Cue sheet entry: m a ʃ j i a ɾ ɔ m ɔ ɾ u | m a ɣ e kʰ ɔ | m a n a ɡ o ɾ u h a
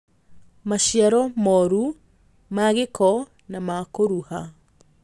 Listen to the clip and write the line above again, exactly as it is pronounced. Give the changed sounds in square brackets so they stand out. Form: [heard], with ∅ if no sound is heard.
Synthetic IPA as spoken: m a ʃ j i a ɾ ɔ m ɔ ɾ u | m a ɣ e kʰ ɔ | [n] a [m] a [k] o ɾ u h a